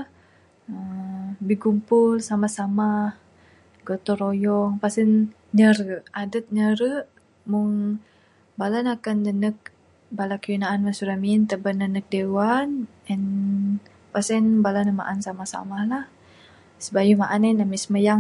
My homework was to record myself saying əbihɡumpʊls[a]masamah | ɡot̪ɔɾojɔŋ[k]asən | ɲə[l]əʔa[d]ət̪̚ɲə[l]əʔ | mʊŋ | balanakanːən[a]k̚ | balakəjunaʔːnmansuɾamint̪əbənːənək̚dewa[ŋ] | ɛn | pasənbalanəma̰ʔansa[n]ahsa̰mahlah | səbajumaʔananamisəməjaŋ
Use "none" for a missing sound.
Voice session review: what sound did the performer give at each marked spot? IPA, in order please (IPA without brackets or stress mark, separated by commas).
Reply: a, p, ɾ, d, ɾ, ə, n, m